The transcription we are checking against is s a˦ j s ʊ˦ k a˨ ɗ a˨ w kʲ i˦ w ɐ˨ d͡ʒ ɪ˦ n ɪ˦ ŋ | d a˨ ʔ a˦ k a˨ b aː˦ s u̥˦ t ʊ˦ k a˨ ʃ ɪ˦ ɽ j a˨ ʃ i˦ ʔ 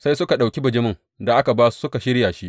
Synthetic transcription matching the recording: s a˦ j s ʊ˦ k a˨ ɗ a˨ w kʲ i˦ b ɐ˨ d͡ʒ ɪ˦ m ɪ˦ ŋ | d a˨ ʔ a˦ k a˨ b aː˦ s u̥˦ s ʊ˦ k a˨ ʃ ɪ˦ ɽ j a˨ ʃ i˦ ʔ